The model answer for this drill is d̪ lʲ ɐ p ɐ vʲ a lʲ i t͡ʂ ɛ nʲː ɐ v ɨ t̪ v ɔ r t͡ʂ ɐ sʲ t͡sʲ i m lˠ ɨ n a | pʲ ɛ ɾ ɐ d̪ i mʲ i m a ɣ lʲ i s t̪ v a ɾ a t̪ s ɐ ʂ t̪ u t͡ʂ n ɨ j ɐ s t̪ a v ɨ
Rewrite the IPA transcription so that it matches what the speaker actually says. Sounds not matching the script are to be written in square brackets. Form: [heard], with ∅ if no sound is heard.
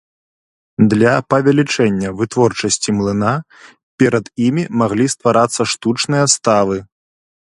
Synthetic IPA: d̪ lʲ ɐ p ɐ vʲ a lʲ i t͡ʂ ɛ nʲː ɐ v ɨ t̪ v ɔ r t͡ʂ ɐ sʲ t͡sʲ i m lˠ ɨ n a | pʲ ɛ ɾ ɐ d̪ i mʲ i m a ɣ lʲ i s t̪ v a ɾ a t̪ [sː] ɐ ʂ t̪ u t͡ʂ n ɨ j ɐ s t̪ a v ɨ